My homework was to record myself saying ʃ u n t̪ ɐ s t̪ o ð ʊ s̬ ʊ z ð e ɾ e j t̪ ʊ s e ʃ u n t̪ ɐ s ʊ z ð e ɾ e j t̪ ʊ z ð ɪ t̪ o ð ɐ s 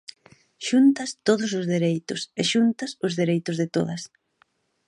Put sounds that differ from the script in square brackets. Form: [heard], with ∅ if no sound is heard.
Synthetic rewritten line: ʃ u n t̪ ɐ s t̪ o ð ʊ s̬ ʊ z ð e ɾ e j t̪ ʊ s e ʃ u n t̪ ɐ s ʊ z ð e ɾ e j t̪ ʊ z ð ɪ t̪ o ð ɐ s